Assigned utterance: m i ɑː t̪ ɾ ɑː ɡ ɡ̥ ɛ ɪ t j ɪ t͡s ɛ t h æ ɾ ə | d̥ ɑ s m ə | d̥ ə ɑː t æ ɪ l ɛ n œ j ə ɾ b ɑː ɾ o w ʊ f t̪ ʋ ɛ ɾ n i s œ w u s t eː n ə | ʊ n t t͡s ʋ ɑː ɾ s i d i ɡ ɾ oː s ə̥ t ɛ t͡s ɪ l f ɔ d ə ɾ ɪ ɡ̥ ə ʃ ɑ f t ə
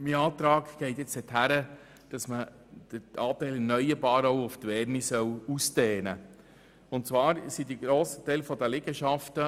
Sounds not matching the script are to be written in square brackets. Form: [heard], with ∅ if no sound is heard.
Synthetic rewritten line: m i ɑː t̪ ɾ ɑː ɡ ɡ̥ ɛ ɪ t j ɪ t͡s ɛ t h æ ɾ ə | d̥ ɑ s m ə | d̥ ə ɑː t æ ɪ l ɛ n œ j ə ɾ b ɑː ɾ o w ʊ f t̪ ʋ ɛ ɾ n i s œ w u s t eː n ə | ʊ n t t͡s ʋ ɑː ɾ s i d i ɡ ɾ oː s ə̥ t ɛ [∅] ɪ l f ɔ d ə [l] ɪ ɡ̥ ə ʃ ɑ f t ə